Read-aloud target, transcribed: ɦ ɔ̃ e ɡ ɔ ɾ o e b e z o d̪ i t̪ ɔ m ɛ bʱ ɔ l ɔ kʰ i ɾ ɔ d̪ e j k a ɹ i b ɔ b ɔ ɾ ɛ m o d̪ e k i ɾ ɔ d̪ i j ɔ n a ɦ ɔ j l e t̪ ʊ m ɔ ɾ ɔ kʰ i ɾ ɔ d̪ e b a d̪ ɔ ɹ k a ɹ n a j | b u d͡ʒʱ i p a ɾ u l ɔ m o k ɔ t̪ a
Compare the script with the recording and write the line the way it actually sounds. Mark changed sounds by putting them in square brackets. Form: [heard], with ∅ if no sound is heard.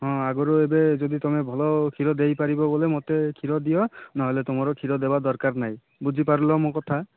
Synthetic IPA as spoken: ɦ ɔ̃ [a] ɡ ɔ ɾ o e b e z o d̪ i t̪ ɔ m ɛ bʱ ɔ l ɔ kʰ i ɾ ɔ d̪ e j [p] a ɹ i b ɔ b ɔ [l] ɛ m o [t̪] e [kʰ] i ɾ ɔ d̪ i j ɔ n a ɦ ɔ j l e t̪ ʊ m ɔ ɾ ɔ kʰ i ɾ ɔ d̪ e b a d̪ ɔ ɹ k a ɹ n a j | b u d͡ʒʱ i p a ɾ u l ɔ m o k ɔ [t̪ʰ] a

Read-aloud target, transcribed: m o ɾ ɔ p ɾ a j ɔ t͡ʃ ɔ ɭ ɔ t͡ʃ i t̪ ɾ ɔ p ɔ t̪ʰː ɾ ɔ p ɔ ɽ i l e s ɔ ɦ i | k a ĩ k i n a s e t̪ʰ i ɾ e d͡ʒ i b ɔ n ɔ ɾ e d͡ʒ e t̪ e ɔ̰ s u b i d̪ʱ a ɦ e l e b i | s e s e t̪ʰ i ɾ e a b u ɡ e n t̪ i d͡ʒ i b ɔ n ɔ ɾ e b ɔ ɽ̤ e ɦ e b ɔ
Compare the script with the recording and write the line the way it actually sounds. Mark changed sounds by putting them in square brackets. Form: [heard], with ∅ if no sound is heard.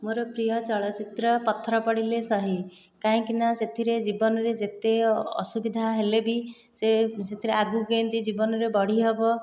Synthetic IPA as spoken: m o ɾ ɔ p ɾ [i] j ɔ t͡ʃ ɔ ɭ ɔ t͡ʃ i t̪ ɾ ɔ p ɔ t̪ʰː ɾ ɔ p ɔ ɽ i l e s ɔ ɦ i | k a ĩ k i n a s e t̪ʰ i ɾ e d͡ʒ i b ɔ n ɔ ɾ e d͡ʒ e t̪ e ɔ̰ s u b i d̪ʱ a ɦ e l e b i | s e s e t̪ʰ i ɾ e a [ɡ] u ɡ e n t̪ i d͡ʒ i b ɔ n ɔ ɾ e b ɔ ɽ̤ [i] ɦ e b ɔ

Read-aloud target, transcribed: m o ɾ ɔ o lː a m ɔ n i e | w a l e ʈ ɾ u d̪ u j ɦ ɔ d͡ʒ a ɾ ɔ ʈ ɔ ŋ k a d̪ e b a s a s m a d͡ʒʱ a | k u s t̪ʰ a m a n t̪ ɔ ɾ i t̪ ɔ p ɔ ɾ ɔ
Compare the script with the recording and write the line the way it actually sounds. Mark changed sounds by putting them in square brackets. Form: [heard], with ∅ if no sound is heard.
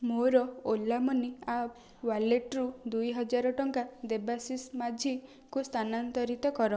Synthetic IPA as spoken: m o ɾ ɔ o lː a m ɔ n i [a] | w a l e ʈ ɾ u d̪ u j ɦ ɔ d͡ʒ a ɾ ɔ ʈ ɔ ŋ k a d̪ e b a s [i] s m a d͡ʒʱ [i] | k u s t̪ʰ a [n] a n t̪ ɔ ɾ i t̪ ɔ [k] ɔ ɾ ɔ

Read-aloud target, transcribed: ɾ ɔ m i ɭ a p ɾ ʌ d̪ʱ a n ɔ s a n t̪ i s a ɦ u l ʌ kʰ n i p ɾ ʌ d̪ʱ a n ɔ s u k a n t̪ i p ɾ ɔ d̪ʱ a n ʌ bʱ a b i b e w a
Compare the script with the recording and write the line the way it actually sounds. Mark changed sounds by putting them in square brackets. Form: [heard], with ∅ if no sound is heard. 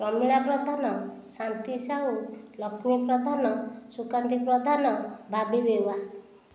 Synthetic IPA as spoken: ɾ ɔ m i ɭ a p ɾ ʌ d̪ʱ a n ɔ s a n t̪ i s a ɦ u l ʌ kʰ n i p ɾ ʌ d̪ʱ a n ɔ s u k a n t̪ i p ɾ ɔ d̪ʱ a n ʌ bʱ a b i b e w a

